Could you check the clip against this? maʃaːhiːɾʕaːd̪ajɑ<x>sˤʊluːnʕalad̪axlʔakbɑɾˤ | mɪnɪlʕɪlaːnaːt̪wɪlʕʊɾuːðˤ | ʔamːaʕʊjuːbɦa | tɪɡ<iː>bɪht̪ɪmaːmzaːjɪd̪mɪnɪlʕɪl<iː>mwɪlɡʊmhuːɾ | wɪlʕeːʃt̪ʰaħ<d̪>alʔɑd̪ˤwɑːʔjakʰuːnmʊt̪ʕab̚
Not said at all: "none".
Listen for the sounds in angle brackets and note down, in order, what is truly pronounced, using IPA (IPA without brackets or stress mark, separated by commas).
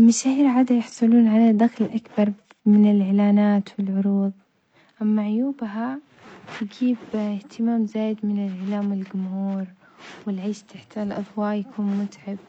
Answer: ħ, iː, aː, t̪